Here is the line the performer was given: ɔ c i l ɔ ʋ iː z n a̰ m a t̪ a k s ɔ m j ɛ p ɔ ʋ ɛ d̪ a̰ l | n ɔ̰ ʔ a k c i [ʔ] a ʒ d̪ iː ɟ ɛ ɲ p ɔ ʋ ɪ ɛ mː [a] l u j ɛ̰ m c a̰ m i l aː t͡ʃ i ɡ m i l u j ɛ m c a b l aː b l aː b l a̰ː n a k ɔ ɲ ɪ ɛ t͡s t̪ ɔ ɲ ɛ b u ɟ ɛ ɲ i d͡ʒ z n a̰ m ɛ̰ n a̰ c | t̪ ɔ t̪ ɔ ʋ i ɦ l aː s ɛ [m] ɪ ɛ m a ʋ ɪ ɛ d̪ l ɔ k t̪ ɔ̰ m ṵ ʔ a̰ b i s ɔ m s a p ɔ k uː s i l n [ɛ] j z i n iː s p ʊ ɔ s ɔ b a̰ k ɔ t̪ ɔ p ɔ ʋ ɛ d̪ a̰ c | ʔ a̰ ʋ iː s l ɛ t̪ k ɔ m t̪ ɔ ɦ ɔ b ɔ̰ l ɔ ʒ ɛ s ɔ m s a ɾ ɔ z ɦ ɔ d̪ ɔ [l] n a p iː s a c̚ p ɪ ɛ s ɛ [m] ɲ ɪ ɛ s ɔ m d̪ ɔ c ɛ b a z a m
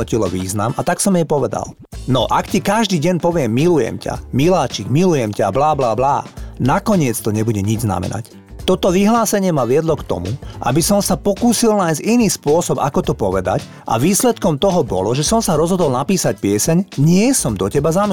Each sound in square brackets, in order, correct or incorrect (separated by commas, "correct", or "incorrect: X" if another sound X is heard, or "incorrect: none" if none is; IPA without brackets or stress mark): incorrect: k, incorrect: i, incorrect: ɲ, incorrect: a, correct, incorrect: ɲ